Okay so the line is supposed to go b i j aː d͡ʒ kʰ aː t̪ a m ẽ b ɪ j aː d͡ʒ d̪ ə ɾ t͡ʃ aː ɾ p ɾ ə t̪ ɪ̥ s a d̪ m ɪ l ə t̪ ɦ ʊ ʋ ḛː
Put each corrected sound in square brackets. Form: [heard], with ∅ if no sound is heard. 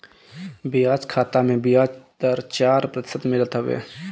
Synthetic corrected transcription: b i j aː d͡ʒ kʰ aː t̪ a m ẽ b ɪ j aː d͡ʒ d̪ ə ɾ t͡ʃ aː ɾ p ɾ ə t̪ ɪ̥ s [ə] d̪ m ɪ l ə t̪ ɦ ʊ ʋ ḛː